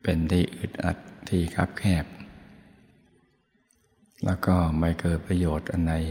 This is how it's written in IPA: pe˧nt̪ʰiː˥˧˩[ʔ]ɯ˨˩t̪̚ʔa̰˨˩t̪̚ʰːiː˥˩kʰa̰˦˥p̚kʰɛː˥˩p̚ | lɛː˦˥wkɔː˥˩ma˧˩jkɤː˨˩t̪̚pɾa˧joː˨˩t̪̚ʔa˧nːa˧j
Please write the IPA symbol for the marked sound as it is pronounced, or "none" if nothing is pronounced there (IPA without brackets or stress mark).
ʔ